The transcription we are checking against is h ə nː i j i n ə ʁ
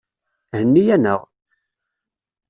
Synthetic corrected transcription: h ə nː i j æ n ə ʁ